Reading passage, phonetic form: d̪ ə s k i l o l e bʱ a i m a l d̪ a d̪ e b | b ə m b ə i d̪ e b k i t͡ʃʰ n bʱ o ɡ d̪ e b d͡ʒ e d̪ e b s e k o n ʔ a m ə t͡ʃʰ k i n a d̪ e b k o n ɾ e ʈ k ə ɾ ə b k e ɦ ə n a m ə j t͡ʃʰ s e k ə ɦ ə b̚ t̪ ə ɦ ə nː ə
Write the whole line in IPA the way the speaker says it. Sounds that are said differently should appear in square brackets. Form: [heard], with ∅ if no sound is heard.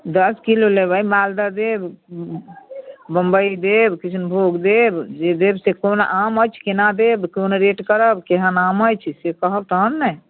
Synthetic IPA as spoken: d̪ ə s k i l o l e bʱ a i m a l d̪ a d̪ e b | b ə m b ə i d̪ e b k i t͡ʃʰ n bʱ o ɡ d̪ e b d͡ʒ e d̪ e b s e k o n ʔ a m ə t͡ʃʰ k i n a d̪ e b k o n ɾ e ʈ k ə ɾ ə b k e ɦ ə n a m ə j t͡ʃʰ s e k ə ɦ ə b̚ t̪ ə ɦ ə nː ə

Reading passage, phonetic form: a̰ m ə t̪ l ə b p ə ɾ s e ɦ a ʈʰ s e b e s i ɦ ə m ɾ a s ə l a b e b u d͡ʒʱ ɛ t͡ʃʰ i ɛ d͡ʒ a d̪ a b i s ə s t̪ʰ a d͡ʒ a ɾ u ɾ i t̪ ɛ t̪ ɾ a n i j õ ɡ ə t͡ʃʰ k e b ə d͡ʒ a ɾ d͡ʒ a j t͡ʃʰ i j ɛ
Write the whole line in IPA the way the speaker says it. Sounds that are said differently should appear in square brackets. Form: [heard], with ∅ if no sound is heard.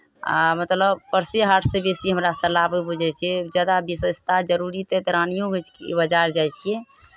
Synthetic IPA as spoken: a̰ m ə t̪ l ə b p ə ɾ s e ɦ a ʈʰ s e b e s i ɦ ə m ɾ a s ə l a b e b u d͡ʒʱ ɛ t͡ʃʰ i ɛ d͡ʒ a d̪ a b i s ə s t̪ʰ a d͡ʒ [ə] ɾ u ɾ i t̪ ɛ t̪ ɾ a n i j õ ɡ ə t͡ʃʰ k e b ə d͡ʒ a ɾ d͡ʒ a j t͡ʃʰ i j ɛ

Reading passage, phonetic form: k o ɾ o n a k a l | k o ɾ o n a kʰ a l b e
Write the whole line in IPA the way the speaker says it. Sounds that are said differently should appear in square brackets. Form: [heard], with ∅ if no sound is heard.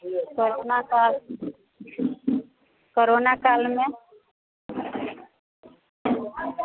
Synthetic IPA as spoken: k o ɾ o n a k a l | k o ɾ o n a [k] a l [m] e

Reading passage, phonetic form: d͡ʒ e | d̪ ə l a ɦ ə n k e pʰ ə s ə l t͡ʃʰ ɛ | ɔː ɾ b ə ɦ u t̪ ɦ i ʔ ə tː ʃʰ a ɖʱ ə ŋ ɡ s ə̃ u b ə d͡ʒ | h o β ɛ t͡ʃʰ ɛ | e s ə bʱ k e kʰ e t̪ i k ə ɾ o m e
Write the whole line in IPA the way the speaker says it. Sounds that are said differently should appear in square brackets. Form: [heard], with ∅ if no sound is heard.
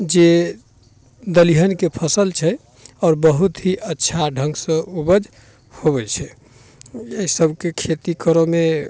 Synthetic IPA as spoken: d͡ʒ e | d̪ ə l [i] ɦ ə n k e pʰ ə s ə l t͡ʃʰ ɛ | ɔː ɾ b ə ɦ u t̪ ɦ i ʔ ə tː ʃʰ a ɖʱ ə ŋ ɡ s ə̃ u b ə d͡ʒ | h o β ɛ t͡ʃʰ ɛ | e s ə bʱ k e kʰ e t̪ i k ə ɾ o m e

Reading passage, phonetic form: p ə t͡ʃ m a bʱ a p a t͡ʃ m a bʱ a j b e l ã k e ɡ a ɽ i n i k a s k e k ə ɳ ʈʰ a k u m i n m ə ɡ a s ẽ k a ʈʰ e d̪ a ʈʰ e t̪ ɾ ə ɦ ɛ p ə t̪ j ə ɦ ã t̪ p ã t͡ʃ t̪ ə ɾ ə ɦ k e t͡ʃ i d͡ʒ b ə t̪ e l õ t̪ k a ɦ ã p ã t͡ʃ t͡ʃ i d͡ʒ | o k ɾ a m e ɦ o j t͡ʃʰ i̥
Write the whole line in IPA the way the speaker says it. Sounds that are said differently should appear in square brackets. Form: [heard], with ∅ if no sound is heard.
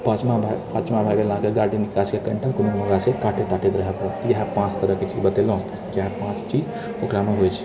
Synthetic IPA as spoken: p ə t͡ʃ m a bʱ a p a t͡ʃ m a bʱ a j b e l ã k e ɡ a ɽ i n i k a s k e k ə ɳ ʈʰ a k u m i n m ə ɡ a s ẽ k a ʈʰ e [t̪] a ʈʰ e t̪ ɾ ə ɦ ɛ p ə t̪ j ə ɦ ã [∅] p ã t͡ʃ t̪ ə ɾ ə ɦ k e t͡ʃ i d͡ʒ b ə t̪ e l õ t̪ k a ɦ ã p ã t͡ʃ t͡ʃ i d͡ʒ | o k ɾ a m e ɦ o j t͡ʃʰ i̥

